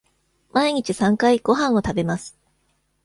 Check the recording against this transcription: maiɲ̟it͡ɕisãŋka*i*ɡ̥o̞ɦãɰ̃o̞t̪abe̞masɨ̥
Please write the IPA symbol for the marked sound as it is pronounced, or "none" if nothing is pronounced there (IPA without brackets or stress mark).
i